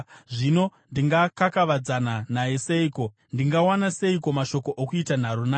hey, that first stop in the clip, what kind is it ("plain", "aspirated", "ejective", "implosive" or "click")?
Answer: plain